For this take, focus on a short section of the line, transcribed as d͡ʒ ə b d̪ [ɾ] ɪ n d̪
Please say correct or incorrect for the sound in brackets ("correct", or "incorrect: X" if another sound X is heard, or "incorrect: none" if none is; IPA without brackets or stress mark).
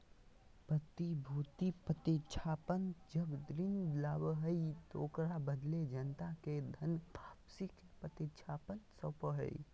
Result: correct